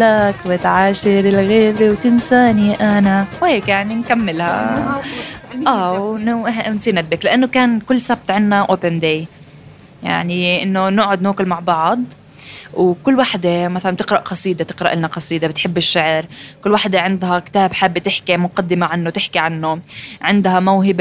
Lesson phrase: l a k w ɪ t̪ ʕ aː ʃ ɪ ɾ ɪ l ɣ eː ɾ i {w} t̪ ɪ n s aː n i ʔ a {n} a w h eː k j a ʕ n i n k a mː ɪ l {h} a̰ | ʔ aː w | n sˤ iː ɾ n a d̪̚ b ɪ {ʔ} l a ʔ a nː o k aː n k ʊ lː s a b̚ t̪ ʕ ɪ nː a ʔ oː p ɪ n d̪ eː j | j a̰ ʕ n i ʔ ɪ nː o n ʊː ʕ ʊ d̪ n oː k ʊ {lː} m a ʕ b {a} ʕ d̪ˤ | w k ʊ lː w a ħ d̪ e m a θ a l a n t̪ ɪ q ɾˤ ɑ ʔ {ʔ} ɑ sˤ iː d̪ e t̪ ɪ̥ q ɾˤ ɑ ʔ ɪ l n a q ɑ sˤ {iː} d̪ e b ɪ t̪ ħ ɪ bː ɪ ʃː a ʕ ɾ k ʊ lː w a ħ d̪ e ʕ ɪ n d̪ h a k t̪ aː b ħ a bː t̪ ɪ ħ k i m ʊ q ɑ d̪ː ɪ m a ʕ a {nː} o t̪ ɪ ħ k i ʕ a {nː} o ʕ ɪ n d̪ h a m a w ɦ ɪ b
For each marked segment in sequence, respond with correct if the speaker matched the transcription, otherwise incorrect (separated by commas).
correct, correct, correct, incorrect, incorrect, incorrect, incorrect, correct, correct, correct